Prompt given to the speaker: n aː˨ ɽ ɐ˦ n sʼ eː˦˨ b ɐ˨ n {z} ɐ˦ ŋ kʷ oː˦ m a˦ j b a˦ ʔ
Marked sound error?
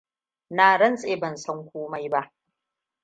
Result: yes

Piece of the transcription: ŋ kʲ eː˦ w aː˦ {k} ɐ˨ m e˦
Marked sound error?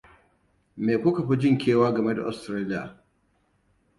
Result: yes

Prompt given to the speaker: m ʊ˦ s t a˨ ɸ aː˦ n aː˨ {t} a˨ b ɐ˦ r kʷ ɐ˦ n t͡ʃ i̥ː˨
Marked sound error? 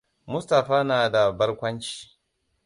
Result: yes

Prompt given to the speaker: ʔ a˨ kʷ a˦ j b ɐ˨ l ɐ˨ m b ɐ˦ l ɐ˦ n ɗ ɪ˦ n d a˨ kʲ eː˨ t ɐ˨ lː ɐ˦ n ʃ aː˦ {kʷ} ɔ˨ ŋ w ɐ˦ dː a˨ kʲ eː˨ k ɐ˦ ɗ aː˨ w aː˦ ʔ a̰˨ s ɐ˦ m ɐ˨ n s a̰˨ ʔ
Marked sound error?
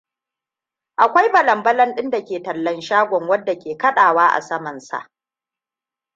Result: yes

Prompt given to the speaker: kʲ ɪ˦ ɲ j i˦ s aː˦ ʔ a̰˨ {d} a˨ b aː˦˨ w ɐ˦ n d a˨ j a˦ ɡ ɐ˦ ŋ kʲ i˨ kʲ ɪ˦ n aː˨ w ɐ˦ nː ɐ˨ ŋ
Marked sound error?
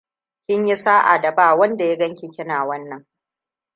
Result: no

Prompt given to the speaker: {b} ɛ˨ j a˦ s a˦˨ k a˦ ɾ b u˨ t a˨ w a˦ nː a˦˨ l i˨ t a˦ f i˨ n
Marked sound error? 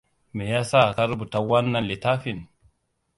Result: yes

